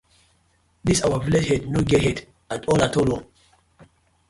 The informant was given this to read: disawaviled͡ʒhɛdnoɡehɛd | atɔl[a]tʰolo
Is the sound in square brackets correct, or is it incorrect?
correct